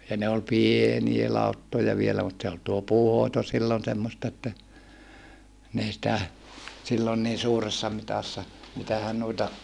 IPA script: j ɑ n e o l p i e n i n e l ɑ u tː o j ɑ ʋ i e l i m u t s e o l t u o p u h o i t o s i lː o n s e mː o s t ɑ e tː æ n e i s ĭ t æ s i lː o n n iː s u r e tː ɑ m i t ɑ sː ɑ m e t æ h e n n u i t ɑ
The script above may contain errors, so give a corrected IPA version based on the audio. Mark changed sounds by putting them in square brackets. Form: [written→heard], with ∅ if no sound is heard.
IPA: j ɑ n e o l p i e n i [n→∅] e l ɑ u tː o j ɑ ʋ i e l [i→æ] m u t s e o l t u o p [u→uː] h o i t o s i lː o n s e mː o s t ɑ e tː æ n e i s ĭ t æ s i lː o n n iː s [u→uː] r e [tː→sː] ɑ m i t ɑ sː ɑ m [e→i] t æ h [e→æ] n n u i t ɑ